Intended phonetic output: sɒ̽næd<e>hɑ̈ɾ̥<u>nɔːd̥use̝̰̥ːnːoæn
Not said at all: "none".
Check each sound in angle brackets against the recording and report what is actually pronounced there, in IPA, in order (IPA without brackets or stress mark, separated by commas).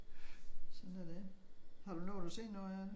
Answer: e, u